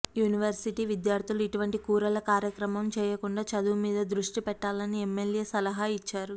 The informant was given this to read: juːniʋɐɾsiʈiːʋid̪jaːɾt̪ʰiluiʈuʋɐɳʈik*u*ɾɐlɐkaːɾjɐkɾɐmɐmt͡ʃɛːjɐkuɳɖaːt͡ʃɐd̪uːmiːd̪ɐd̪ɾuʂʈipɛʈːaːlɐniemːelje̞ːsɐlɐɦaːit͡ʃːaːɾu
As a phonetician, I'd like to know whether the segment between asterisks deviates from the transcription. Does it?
yes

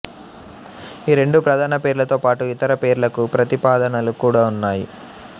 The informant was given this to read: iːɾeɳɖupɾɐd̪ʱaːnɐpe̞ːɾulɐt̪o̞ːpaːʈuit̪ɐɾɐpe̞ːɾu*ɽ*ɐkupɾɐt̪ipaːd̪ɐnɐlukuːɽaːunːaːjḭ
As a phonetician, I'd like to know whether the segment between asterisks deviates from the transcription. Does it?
yes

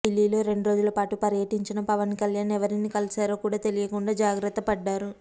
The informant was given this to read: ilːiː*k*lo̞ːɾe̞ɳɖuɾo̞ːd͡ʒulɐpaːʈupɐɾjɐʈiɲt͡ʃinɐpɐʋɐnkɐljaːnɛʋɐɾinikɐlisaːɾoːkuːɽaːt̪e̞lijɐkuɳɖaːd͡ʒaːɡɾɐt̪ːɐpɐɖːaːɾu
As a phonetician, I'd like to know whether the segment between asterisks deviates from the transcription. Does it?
yes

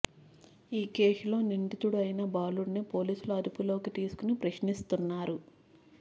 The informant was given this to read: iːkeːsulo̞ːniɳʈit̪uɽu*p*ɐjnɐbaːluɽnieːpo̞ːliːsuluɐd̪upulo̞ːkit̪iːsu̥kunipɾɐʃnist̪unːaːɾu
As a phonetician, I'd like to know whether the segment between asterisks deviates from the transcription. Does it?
yes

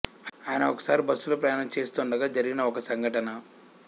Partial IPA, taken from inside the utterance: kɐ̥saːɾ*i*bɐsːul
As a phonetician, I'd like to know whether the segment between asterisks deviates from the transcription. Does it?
no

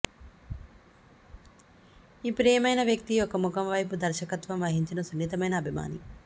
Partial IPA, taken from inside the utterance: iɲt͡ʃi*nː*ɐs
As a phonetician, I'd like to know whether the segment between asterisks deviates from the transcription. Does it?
yes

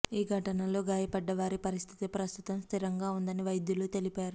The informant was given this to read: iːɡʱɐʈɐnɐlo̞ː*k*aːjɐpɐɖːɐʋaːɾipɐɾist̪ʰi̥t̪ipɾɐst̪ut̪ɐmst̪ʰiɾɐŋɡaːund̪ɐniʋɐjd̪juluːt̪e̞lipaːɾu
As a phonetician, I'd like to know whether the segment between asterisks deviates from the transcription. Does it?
yes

